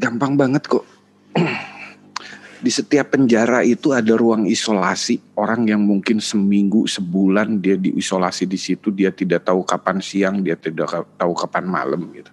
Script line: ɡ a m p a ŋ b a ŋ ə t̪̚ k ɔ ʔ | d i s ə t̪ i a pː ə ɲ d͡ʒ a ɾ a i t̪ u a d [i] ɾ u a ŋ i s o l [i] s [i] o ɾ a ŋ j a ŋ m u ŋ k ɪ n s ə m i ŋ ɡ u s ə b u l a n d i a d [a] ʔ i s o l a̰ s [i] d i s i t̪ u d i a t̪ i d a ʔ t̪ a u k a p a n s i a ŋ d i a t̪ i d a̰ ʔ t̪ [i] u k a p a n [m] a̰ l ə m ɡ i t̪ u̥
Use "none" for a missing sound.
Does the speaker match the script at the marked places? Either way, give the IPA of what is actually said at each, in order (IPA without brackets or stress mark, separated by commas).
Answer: a, a, i, i, i, a, m